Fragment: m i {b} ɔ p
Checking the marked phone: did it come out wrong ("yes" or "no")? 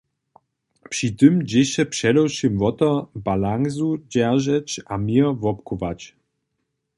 yes